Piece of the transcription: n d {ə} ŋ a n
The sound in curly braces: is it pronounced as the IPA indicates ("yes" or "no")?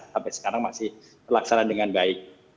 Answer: yes